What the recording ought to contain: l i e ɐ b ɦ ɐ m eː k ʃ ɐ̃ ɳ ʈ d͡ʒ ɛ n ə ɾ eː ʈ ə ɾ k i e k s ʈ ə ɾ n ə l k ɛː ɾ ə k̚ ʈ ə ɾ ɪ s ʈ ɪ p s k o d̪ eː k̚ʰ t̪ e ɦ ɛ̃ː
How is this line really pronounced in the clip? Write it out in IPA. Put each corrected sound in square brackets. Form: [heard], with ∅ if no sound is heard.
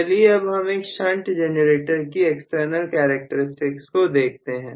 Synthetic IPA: l i e ɐ b ɦ ɐ m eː k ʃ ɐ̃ ɳ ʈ d͡ʒ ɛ n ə ɾ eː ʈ ə ɾ k i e k s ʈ ə ɾ n ə l k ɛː ɾ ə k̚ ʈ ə ɾ ɪ s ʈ ɪ [k] s k o d̪ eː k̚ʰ t̪ e ɦ ɛ̃ː